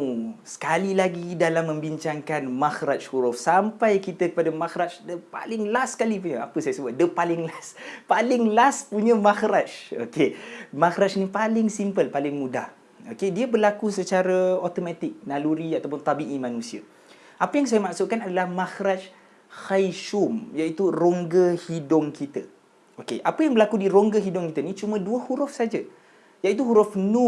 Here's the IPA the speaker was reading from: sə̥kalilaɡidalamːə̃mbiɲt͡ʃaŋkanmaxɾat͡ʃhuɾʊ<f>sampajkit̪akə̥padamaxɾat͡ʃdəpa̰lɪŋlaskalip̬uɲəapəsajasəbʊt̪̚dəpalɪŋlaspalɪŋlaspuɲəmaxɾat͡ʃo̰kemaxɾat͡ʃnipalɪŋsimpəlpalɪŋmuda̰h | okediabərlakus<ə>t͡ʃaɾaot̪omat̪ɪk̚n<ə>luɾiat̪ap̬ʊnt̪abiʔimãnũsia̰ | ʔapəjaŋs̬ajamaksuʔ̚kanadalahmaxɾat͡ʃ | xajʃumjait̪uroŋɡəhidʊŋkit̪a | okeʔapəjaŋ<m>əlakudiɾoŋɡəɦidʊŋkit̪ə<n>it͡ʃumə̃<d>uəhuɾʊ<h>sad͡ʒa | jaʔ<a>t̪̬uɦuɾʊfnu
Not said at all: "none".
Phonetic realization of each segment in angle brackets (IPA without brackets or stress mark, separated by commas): f, ə, a, b, n, d, f, i